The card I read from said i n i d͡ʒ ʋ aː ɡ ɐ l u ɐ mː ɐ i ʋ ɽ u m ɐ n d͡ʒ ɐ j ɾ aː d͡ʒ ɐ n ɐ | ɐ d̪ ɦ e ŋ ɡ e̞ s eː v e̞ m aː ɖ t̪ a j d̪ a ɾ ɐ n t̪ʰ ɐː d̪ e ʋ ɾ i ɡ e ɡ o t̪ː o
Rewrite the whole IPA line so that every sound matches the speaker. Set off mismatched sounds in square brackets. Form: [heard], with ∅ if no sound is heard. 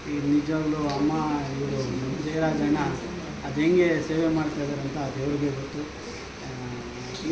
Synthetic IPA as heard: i n i d͡ʒ ʋ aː ɡ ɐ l u ɐ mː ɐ i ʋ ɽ u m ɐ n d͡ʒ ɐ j ɾ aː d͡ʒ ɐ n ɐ | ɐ d̪ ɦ e ŋ ɡ e̞ s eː [ʋ] e̞ m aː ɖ t̪ a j d̪ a ɾ ɐ n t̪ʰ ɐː d̪ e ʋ ɾ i ɡ e ɡ o t̪ː [u]